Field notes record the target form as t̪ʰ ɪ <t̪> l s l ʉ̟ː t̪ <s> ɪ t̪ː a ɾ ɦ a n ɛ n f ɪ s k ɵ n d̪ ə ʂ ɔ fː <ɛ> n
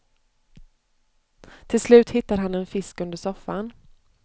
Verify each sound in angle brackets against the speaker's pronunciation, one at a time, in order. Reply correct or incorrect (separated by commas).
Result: incorrect, incorrect, incorrect